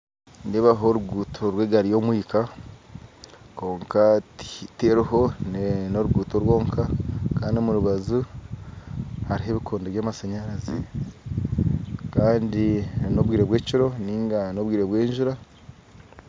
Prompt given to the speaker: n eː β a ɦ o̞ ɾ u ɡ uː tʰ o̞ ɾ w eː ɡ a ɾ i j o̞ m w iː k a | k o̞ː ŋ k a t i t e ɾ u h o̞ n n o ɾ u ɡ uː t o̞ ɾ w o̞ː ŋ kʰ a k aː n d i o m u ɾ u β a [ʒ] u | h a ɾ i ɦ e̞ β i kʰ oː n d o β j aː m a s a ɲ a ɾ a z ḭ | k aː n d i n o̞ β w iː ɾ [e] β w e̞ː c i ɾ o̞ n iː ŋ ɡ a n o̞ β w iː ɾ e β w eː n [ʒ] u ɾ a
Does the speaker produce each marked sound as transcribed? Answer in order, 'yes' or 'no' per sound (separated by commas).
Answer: no, yes, yes